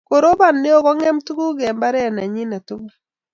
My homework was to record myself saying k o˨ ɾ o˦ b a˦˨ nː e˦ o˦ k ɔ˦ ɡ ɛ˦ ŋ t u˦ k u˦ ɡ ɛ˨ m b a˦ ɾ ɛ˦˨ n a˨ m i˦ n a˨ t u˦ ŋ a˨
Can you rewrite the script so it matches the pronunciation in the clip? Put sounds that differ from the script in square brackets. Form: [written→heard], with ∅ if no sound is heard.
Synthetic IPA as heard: k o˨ ɾ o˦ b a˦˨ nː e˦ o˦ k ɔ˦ [ɡ→ŋ] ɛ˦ [ŋ→m] t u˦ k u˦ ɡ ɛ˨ m b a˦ ɾ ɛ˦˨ n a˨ [m→ɲ] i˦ n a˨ t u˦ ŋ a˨